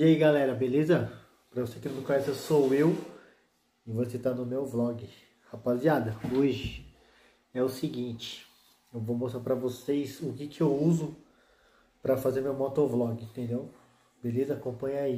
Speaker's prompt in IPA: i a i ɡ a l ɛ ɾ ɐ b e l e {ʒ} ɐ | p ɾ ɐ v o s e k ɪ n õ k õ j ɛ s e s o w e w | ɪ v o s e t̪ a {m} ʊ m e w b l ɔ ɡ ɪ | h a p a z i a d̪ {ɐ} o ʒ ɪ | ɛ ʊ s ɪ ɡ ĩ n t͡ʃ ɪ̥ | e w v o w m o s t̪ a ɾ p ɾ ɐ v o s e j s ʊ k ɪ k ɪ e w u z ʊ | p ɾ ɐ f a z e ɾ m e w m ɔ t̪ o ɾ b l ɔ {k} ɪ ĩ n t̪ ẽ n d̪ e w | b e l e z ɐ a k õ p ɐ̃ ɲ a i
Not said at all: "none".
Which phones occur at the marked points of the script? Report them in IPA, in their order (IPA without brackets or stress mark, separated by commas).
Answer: z, n, ɐ, ɡ